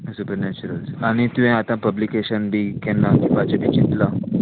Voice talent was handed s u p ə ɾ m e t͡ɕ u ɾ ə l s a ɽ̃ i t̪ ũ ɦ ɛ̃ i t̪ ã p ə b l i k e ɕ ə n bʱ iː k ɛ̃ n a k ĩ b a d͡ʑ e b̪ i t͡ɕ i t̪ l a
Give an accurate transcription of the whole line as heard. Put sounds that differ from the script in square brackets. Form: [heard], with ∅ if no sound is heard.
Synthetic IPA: s u p ə ɾ [n] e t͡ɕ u ɾ ə l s a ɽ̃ i t̪ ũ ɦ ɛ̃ [a] t̪ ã p ə b l i k e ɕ ə n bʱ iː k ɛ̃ n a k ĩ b a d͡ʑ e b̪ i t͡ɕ i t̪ l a